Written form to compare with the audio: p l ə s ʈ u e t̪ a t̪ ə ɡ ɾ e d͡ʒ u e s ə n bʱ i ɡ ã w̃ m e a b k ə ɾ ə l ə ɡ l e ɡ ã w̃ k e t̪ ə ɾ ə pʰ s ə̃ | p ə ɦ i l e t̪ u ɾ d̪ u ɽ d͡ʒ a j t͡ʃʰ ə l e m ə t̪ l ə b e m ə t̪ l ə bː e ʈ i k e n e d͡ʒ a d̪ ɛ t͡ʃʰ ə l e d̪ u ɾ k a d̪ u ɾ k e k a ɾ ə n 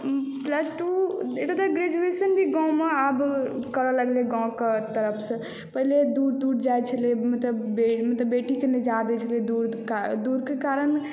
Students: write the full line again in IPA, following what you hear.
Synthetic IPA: p l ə s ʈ u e t̪ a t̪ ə ɡ ɾ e d͡ʒ u e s ə n bʱ i ɡ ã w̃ m e a b k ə ɾ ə l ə ɡ l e ɡ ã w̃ k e t̪ ə ɾ ə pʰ s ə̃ | p ə ɦ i l e d̪ u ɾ d̪ u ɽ d͡ʒ a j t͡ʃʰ ə l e m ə t̪ l ə b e m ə t̪ l ə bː e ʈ i k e n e d͡ʒ a d̪ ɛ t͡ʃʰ ə l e d̪ u ɾ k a d̪ u ɾ k e k a ɾ ə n